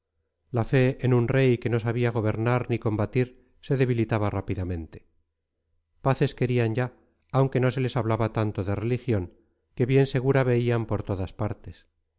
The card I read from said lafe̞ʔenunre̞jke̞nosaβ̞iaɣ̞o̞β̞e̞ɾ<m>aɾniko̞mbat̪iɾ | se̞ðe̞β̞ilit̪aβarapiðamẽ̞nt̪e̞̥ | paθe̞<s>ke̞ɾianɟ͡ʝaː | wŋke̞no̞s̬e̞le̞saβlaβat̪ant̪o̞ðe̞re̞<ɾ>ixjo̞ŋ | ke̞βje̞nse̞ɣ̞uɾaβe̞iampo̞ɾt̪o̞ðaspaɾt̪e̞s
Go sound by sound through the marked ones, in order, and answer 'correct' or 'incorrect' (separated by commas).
incorrect, correct, incorrect